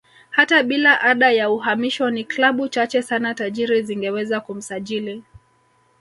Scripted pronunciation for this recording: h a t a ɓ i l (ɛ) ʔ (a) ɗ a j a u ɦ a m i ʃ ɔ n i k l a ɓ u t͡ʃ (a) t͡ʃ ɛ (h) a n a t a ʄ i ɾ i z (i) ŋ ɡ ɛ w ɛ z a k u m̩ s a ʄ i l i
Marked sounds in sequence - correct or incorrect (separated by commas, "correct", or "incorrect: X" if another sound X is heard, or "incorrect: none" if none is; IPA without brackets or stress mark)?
incorrect: a, correct, correct, incorrect: s, correct